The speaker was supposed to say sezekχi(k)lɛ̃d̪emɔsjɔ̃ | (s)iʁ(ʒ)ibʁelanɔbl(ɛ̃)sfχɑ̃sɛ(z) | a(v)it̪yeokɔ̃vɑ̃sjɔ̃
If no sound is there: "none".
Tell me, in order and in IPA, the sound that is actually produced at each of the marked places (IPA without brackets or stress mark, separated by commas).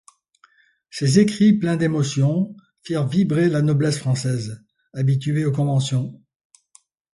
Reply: p, f, v, ɛ, z, b